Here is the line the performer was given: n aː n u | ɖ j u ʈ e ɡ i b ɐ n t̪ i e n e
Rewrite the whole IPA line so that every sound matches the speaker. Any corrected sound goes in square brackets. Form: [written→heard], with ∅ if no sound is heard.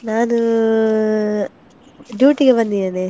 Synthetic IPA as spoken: n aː n u | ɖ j [u→uː] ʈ [e→i] ɡ [i→e] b ɐ n [t̪→d̪] i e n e